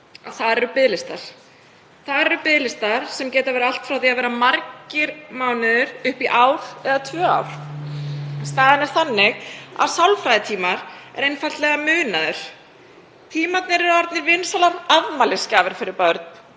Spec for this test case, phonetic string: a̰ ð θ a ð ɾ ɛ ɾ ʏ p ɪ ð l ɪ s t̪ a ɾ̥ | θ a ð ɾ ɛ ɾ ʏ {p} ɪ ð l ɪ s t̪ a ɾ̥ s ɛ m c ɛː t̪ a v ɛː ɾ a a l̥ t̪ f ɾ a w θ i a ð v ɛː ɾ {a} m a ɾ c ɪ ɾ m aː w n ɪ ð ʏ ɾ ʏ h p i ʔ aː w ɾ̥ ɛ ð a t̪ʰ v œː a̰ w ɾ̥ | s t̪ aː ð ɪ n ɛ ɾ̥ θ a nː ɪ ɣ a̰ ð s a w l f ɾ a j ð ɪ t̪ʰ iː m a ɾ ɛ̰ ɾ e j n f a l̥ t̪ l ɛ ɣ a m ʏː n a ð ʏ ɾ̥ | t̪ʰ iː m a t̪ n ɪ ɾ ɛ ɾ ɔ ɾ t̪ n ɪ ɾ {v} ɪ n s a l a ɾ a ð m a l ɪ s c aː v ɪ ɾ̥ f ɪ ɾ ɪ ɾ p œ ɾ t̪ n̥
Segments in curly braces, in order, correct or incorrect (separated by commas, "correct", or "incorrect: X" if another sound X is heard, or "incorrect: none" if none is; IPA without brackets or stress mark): correct, correct, correct